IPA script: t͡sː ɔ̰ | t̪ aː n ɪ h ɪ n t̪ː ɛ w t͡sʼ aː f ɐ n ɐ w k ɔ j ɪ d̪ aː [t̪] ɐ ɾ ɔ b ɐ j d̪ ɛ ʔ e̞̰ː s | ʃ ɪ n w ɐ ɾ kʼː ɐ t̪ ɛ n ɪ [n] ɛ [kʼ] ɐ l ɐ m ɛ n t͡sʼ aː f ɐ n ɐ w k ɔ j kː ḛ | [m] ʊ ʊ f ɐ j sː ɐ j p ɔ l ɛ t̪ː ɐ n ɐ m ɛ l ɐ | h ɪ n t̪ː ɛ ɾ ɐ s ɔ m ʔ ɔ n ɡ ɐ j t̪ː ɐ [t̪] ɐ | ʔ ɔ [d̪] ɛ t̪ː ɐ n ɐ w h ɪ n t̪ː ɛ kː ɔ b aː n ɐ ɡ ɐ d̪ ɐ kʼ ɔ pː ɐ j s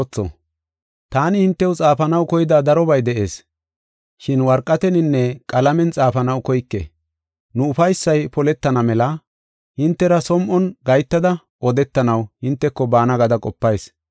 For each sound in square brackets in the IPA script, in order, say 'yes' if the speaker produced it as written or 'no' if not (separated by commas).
no, no, yes, no, no, yes